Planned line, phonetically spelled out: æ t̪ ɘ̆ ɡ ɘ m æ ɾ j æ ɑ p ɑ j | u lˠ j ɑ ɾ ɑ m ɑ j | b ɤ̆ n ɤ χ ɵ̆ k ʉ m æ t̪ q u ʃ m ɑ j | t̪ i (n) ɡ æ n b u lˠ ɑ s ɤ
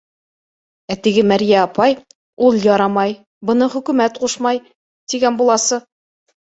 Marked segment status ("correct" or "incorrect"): incorrect